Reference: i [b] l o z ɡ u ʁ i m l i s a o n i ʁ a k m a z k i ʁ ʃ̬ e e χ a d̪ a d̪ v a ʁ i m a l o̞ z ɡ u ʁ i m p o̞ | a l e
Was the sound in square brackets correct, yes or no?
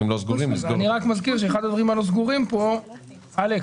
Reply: no